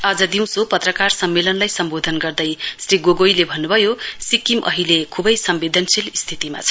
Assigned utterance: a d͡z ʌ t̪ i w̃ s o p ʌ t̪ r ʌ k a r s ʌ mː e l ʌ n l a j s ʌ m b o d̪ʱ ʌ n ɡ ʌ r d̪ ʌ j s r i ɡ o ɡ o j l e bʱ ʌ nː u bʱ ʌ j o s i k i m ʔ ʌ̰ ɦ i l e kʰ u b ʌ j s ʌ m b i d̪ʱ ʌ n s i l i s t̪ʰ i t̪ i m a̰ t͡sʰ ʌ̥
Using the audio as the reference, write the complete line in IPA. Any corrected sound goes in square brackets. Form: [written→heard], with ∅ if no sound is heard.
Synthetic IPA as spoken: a d͡z ʌ [t̪→d̪] i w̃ s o p ʌ t̪ r ʌ k a r s ʌ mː e l ʌ n l a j s ʌ m b o d̪ʱ ʌ n ɡ ʌ r d̪ ʌ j s r i ɡ o ɡ o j l e bʱ ʌ nː u bʱ ʌ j o s i k i m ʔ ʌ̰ ɦ i l e kʰ u b ʌ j s ʌ m b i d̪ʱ ʌ n s i l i s t̪ʰ i t̪ i m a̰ t͡sʰ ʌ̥